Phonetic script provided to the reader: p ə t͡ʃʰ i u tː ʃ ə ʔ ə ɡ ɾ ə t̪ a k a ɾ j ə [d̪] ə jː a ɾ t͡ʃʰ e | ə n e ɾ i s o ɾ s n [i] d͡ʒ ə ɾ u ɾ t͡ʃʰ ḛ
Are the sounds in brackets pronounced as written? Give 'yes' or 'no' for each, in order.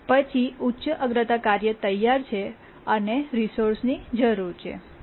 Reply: no, yes

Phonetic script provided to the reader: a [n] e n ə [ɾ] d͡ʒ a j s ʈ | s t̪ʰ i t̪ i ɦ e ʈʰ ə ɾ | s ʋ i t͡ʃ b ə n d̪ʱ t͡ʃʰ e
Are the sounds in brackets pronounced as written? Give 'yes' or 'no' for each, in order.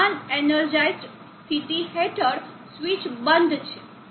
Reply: yes, yes

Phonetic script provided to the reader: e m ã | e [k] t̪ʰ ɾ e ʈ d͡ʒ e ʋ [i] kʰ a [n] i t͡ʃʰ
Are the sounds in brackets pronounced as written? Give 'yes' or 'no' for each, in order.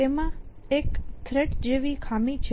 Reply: yes, yes, no

